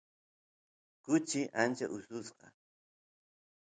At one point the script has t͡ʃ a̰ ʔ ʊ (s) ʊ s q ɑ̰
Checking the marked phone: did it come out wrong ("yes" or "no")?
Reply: no